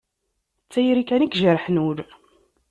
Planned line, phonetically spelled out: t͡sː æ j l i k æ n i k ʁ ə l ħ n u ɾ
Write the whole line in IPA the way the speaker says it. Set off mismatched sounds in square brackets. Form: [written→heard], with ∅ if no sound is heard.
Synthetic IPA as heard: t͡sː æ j [l→ɾ] i k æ n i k [ʁ→ʒ] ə [l→ɾ] ħ n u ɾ